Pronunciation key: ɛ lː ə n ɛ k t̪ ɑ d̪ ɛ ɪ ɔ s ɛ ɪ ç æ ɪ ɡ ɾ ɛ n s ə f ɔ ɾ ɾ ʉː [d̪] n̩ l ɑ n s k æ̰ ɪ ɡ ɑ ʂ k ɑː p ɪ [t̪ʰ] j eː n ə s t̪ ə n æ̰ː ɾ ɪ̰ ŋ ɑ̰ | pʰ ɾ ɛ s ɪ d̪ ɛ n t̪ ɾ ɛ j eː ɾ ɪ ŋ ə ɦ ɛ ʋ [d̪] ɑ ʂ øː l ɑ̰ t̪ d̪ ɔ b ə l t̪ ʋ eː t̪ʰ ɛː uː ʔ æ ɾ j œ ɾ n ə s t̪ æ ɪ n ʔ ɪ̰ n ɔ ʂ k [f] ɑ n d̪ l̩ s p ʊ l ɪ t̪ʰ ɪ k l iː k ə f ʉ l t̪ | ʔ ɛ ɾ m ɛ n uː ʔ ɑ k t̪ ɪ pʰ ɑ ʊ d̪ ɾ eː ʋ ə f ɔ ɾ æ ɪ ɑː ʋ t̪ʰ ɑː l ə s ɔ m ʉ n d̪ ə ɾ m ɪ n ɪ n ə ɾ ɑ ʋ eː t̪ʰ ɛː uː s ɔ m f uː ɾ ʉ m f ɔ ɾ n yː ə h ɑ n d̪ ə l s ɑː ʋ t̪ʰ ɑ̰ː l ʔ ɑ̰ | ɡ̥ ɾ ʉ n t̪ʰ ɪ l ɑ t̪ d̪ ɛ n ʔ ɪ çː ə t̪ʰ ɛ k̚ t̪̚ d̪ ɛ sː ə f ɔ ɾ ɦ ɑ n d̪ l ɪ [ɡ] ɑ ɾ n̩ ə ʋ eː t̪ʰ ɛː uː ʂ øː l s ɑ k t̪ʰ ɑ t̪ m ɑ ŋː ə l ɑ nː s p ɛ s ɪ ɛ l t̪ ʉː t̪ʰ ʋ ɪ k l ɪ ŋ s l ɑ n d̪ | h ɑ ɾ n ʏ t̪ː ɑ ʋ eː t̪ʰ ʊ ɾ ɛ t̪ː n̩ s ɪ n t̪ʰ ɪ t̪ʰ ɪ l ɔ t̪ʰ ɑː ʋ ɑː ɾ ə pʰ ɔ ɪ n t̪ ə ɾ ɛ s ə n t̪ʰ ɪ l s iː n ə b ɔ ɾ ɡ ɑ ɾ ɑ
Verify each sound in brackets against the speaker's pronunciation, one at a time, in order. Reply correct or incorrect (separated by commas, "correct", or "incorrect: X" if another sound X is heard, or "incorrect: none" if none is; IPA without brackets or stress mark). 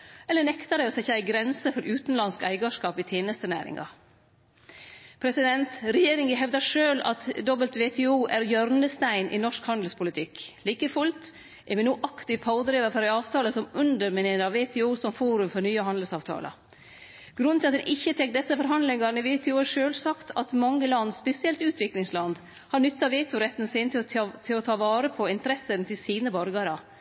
incorrect: t̪, correct, correct, incorrect: h, incorrect: ŋ